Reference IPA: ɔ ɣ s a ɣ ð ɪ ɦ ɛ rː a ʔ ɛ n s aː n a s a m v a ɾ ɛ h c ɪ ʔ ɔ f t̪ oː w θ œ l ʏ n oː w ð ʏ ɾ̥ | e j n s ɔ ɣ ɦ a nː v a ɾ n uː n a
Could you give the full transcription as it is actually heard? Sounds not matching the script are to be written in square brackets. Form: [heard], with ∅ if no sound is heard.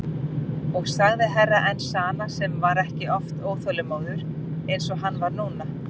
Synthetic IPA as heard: ɔ ɣ s a ɣ ð ɪ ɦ ɛ rː a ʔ ɛ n s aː n a s [ɛ] m v a ɾ ɛ h c ɪ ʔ ɔ f t̪ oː w θ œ l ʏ [m] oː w ð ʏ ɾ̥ | e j n s ɔ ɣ ɦ a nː v a ɾ n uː n a